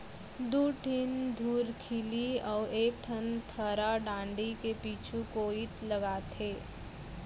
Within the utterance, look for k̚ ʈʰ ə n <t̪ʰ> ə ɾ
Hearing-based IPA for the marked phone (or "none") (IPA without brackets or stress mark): t̪ʰ